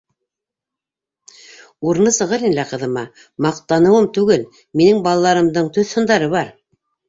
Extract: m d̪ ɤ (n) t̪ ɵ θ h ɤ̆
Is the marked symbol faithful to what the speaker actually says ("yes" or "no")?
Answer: no